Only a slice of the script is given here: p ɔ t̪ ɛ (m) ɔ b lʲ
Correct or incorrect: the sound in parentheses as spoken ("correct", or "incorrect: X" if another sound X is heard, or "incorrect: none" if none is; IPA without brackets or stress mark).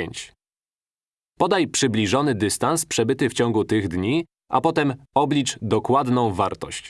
correct